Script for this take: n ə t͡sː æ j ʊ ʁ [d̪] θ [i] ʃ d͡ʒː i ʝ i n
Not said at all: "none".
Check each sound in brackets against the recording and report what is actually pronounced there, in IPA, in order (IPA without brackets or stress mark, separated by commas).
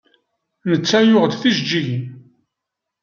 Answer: d̪, i